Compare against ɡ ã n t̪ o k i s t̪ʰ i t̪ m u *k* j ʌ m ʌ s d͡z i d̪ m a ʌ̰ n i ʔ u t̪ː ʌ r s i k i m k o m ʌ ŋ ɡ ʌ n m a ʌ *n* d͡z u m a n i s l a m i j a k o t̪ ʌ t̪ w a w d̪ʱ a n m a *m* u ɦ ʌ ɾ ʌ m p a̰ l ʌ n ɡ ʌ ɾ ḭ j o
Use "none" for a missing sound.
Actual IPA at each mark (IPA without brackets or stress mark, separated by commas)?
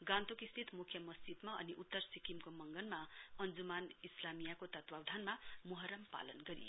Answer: kʰ, n, m